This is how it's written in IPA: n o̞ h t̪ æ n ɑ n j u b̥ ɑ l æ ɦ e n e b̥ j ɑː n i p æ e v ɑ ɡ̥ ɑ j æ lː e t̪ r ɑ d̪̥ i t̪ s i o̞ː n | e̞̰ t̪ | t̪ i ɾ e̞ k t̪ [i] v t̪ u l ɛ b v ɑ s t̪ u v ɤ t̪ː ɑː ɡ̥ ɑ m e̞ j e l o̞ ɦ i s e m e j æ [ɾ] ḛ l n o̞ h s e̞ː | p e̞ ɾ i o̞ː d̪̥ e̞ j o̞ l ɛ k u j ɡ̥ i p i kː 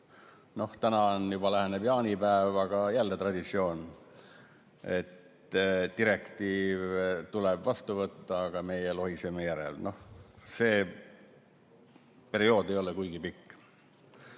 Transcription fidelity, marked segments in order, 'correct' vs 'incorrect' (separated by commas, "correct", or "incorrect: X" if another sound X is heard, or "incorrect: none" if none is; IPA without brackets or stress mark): incorrect: iː, correct